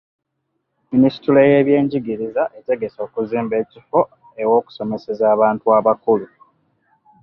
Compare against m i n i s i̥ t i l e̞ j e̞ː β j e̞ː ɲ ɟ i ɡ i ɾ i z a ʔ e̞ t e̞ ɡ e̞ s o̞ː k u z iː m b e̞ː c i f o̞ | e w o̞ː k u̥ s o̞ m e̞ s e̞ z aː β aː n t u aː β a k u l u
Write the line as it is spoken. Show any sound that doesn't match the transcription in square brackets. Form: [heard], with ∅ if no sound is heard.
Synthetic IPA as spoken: m i n i s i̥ t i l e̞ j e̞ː β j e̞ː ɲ ɟ i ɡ i ɾ i z a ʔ e̞ t e̞ ɡ e̞ s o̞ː k u z iː m b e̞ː c i f o̞ | e w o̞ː k u̥ s o̞ m e̞ s e̞ z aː β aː n t u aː β a k u l u